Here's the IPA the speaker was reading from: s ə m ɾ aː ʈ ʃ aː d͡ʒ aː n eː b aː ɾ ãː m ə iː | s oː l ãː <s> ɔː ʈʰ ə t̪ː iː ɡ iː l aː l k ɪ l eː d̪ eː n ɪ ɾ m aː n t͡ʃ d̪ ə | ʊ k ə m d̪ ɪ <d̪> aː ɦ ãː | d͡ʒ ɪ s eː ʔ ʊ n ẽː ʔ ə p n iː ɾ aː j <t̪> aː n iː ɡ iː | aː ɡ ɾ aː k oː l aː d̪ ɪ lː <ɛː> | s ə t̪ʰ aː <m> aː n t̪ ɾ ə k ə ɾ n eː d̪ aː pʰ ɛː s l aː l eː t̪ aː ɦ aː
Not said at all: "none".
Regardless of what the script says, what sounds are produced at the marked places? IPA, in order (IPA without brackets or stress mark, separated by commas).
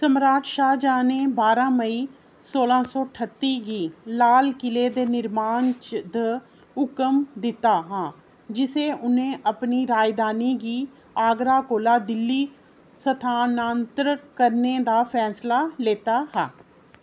s, t̪, d̪, iː, n